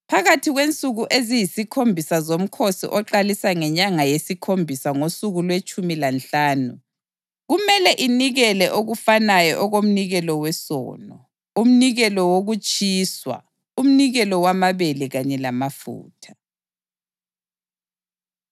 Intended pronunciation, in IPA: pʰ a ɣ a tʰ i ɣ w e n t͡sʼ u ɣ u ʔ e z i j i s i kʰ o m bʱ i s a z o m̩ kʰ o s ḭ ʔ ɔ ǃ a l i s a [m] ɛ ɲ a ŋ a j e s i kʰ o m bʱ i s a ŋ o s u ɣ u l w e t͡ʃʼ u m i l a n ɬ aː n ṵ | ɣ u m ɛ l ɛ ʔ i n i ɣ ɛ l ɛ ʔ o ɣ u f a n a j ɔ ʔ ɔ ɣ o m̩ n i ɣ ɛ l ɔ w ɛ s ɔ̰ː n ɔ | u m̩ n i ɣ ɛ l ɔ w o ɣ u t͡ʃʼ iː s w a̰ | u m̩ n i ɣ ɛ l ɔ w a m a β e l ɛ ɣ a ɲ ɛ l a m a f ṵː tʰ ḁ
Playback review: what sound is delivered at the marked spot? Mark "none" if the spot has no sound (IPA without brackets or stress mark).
ŋ